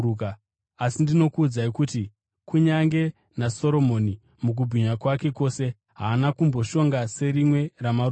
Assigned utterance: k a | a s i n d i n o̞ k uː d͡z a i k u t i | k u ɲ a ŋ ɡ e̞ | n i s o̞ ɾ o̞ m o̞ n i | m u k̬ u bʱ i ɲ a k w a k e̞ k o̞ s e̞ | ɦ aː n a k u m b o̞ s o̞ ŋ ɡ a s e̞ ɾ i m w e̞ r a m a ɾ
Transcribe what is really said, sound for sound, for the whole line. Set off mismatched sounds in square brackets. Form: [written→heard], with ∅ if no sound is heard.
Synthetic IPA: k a | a s i n d i n o̞ k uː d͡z a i k u t i | k u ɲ a ŋ ɡ e̞ | n [i→a] s o̞ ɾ o̞ m o̞ n i | m u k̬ u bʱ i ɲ a k w a k e̞ k o̞ s e̞ | ɦ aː n a k u m b o̞ [s→ʃ] o̞ ŋ ɡ a s e̞ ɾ i m w e̞ r a m a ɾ

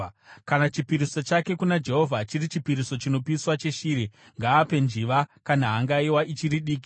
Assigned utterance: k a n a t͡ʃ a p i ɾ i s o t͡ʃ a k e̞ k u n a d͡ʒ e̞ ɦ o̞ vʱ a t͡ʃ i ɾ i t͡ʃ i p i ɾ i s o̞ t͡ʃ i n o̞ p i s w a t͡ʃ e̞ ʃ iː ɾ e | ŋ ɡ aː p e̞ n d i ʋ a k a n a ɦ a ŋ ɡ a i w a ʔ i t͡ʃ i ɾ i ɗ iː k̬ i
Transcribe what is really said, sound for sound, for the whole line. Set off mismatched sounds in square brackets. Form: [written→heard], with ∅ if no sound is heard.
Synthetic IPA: k a n a t͡ʃ [a→i] p i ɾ i s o t͡ʃ a k e̞ k u n a d͡ʒ e̞ ɦ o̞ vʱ a t͡ʃ i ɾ i t͡ʃ i p i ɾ i s o̞ t͡ʃ i n o̞ p i s w a t͡ʃ e̞ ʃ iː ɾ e | ŋ ɡ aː p e̞ n [d→d͡ʒ] i ʋ a k a n a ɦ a ŋ ɡ a i w a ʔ i t͡ʃ i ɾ i ɗ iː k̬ i

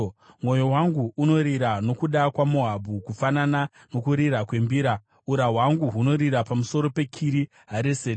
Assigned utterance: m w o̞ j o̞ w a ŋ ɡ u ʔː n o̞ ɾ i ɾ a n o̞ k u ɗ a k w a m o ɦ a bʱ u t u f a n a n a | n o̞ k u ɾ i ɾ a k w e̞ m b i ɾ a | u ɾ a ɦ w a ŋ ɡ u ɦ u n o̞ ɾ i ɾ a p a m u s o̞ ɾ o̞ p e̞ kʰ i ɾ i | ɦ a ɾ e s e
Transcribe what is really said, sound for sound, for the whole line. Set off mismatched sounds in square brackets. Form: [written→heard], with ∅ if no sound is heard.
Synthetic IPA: m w o̞ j o̞ w a ŋ ɡ u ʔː n o̞ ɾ i ɾ a n o̞ k u ɗ a k w a m o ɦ a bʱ u [t→k] u f a n a n a | n o̞ k u ɾ i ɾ a k w e̞ m b i ɾ a | u ɾ a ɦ w a ŋ ɡ u ɦ u n o̞ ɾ i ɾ a p a m u s o̞ ɾ o̞ p e̞ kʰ i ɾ i | ɦ a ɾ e s e

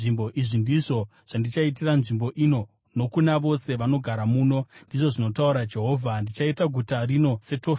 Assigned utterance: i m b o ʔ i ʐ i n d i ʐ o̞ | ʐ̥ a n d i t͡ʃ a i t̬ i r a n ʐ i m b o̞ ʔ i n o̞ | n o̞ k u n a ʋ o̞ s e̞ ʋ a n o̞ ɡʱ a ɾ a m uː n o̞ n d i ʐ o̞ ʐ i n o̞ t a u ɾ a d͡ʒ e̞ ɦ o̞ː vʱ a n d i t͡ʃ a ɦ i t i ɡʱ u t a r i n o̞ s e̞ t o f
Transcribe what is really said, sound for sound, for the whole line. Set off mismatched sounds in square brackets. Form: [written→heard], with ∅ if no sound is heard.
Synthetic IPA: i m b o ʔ i ʐ i n d i ʐ o̞ | ʐ̥ a n d i t͡ʃ a i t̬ i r a n ʐ i m b o̞ ʔ i n o̞ | n o̞ k u n a ʋ o̞ s e̞ ʋ a n o̞ ɡʱ a ɾ a m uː n o̞ n d i ʐ o̞ ʐ i n o̞ t a u ɾ a d͡ʒ e̞ ɦ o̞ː vʱ a n d i t͡ʃ a [ɦ→∅] i t [i→a] ɡʱ u t a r i n o̞ s e̞ t o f

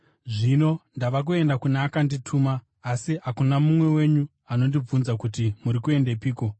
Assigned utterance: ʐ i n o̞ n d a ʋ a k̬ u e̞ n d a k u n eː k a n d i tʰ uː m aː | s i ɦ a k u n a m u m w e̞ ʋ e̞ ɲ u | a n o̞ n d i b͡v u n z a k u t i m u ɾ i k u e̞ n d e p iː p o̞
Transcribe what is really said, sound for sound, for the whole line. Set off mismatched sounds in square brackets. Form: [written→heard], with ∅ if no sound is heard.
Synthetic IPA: ʐ i n o̞ n d a ʋ a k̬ u e̞ n d a k u n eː k a n d i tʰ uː m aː | s i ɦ a k u n a m u m w e̞ [ʋ→w] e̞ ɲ u | a n o̞ n d i b͡v u n z a k u t i m u ɾ i k u e̞ n d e p iː [p→k] o̞

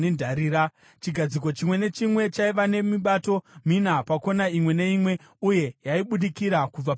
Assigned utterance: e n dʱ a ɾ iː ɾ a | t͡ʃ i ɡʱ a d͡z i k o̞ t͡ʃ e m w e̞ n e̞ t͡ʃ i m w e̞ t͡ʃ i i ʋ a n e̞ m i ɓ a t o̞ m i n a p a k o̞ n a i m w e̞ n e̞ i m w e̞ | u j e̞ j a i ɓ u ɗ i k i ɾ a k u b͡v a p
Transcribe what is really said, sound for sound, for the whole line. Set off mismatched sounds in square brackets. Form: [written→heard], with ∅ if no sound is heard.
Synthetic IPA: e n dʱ a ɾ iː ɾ a | t͡ʃ i ɡʱ a d͡z i k o̞ t͡ʃ [e→i] m w e̞ n e̞ t͡ʃ i m w e̞ t͡ʃ [i→a] i ʋ a n e̞ m i ɓ a t o̞ m i n a p a k o̞ n a i m w e̞ n e̞ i m w e̞ | u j e̞ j a i ɓ u ɗ i k i ɾ a k u b͡v a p

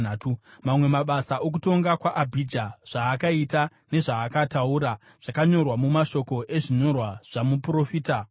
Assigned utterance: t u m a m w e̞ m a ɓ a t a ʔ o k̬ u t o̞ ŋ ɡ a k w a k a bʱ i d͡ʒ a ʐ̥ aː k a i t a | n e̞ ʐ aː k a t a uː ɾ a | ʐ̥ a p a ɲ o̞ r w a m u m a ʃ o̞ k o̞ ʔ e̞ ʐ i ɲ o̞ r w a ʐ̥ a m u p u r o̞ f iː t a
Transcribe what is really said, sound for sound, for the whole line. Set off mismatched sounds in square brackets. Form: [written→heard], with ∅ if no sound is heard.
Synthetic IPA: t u m a m w e̞ m a ɓ a [t→s] a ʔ o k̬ u t o̞ ŋ ɡ a k w a [k→ʔ] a bʱ i d͡ʒ a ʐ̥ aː k a i t a | n e̞ ʐ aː k a t a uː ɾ a | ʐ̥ a [p→k] a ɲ o̞ r w a m u m a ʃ o̞ k o̞ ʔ e̞ ʐ i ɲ o̞ r w a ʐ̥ a m u p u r o̞ f iː t a

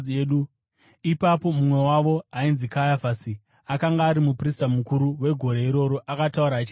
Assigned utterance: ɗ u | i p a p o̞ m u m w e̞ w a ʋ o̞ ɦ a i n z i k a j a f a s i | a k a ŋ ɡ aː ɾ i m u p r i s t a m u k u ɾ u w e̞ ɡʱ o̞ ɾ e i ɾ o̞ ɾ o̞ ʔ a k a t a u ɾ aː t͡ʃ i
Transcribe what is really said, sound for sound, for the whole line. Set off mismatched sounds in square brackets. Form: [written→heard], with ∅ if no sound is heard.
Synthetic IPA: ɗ u | i p a p o̞ m u m w e̞ w a ʋ o̞ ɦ a i n z i k a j a f a s i | a k a ŋ ɡ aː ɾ i m u p r i s t a m u k u ɾ u w e̞ ɡʱ o̞ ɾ e i ɾ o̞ ɾ o̞ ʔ a k a t a u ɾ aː t͡ʃ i

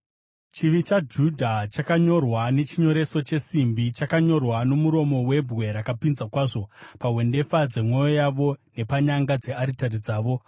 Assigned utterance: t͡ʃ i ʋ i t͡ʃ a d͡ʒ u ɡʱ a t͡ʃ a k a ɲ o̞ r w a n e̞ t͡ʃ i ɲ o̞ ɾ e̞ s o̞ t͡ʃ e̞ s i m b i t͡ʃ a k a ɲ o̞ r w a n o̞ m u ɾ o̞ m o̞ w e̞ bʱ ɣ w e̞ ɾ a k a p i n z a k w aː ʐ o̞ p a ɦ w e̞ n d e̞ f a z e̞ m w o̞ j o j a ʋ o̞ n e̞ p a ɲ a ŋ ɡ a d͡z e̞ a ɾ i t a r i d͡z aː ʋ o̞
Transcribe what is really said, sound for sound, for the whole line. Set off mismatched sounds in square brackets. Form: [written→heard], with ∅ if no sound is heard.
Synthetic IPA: t͡ʃ i ʋ i t͡ʃ a d͡ʒ u [ɡʱ→dʱ] a t͡ʃ a k a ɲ o̞ r w a n e̞ t͡ʃ i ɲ o̞ ɾ e̞ s o̞ t͡ʃ e̞ s i m b i t͡ʃ a k a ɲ o̞ r w a n o̞ m u ɾ o̞ m o̞ w e̞ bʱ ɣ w e̞ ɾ a k a p i n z a k w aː ʐ o̞ p a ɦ w e̞ n d e̞ f a [z→d͡z] e̞ m w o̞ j o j a ʋ o̞ n e̞ p a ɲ a ŋ ɡ a d͡z e̞ a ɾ i t a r i d͡z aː ʋ o̞

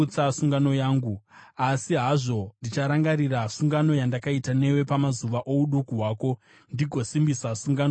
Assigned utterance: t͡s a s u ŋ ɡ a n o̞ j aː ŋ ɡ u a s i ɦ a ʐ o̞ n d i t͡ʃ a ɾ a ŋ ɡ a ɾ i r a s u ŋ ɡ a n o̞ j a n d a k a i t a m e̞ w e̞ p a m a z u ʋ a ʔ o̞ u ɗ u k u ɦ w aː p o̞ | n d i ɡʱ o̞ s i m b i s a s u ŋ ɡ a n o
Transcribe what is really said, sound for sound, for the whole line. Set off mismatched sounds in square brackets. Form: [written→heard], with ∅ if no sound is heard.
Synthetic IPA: t͡s a s u ŋ ɡ a n o̞ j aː ŋ ɡ u a s i ɦ a ʐ o̞ n d i t͡ʃ a ɾ a ŋ ɡ a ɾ i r a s u ŋ ɡ a n o̞ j a n d a k a i t a [m→n] e̞ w e̞ p a m a z u ʋ a ʔ o̞ u ɗ u k u ɦ w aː [p→k] o̞ | n d i ɡʱ o̞ s i m b i s a s u ŋ ɡ a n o

